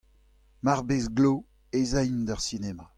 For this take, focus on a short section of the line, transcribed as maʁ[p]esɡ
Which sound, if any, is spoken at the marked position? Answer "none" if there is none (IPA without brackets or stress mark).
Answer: b